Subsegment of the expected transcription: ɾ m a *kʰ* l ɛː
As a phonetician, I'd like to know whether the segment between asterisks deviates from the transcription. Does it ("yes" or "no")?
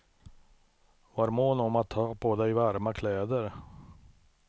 no